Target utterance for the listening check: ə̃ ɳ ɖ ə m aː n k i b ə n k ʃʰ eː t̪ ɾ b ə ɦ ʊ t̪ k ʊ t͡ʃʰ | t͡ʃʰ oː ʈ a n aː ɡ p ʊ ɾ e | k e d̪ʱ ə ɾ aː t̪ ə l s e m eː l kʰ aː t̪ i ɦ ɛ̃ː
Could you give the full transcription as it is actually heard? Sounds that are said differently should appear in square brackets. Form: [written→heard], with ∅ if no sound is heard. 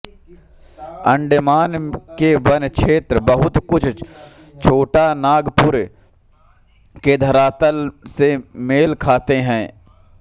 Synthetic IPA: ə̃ ɳ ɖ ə m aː n k [i→e] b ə n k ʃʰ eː t̪ ɾ b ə ɦ ʊ t̪ k ʊ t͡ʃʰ | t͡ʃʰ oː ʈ a n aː ɡ p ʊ ɾ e | k e d̪ʱ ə ɾ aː t̪ ə l s e m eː l kʰ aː t̪ [i→e] ɦ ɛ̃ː